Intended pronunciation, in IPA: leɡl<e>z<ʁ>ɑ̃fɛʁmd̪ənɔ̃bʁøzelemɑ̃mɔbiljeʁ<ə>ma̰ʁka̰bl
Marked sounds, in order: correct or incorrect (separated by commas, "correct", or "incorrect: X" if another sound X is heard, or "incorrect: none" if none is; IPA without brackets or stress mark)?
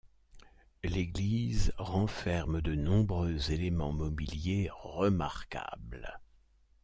incorrect: i, correct, correct